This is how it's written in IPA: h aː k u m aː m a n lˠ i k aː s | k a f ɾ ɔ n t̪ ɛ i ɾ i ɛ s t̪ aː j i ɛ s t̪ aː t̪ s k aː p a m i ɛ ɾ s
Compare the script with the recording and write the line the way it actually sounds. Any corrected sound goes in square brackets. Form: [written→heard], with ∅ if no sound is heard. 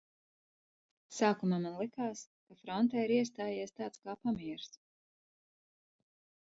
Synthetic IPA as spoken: [h→s] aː k u m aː m a n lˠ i k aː s | k a f ɾ ɔ n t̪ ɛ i ɾ i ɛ s t̪ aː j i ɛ s t̪ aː t̪ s k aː p a m i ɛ ɾ s